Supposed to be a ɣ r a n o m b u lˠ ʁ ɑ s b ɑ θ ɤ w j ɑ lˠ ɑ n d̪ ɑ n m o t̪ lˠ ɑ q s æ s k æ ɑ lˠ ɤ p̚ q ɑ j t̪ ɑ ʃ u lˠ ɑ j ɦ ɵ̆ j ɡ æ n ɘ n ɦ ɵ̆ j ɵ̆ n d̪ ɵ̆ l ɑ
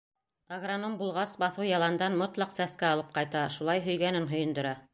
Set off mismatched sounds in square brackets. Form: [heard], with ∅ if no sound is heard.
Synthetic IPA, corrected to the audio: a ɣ r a n o m b u lˠ ʁ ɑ s b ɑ θ ɤ w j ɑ lˠ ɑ n d̪ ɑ n m o t̪ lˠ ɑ q s æ s k æ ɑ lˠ ɤ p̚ q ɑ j t̪ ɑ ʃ u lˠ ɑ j ɦ ɵ̆ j ɡ æ n ɘ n ɦ ɵ̆ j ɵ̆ n d̪ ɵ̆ [ɾ] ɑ